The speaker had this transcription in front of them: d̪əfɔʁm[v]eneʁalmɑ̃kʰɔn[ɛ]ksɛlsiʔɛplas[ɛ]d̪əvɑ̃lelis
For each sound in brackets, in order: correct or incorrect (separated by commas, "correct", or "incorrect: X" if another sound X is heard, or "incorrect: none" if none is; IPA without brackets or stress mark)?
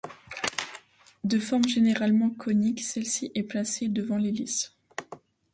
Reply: incorrect: ʒ, incorrect: i, incorrect: e